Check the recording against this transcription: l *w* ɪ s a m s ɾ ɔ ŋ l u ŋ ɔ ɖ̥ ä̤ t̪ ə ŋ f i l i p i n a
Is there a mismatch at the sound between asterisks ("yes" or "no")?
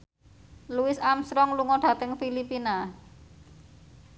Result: yes